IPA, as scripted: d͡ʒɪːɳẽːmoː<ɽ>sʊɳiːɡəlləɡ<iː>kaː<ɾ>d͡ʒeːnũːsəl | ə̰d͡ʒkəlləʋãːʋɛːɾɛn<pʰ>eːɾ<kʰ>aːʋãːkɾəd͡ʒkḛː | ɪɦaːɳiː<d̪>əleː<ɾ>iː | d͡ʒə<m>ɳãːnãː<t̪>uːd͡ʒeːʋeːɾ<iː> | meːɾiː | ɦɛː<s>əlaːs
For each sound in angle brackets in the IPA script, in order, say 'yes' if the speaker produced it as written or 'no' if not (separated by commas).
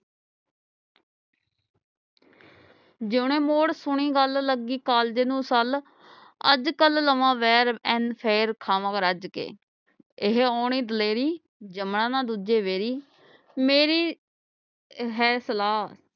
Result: yes, yes, no, yes, yes, yes, yes, yes, no, yes, yes